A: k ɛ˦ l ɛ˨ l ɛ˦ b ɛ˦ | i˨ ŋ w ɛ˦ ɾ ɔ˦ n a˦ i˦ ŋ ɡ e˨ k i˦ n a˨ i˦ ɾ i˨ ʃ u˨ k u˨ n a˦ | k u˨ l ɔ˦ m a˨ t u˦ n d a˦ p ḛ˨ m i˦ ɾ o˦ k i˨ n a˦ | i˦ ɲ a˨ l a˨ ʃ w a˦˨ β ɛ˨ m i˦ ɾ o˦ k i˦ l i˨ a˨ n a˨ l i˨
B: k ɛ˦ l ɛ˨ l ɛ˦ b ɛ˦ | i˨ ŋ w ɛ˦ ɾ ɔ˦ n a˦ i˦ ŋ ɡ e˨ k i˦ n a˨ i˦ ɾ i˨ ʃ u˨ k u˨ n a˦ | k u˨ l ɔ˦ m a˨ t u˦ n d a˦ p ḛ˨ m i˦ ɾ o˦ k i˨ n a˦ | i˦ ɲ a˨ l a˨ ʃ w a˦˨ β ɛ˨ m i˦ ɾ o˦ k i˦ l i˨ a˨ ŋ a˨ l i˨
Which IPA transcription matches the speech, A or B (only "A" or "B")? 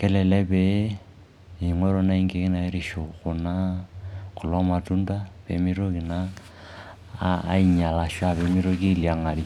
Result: B